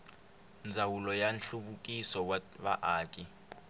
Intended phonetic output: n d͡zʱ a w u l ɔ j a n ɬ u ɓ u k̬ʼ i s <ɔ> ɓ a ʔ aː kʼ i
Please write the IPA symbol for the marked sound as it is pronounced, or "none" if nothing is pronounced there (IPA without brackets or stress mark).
ɔ